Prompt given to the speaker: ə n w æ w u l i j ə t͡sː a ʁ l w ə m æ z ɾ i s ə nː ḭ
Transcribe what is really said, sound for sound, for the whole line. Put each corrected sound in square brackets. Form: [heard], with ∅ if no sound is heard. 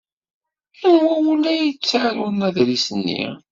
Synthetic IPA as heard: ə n w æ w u l [æ] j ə t͡sː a [ʕ] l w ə [n] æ [ð] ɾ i s ə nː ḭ